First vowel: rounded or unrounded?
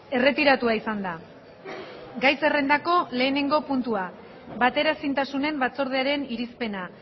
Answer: unrounded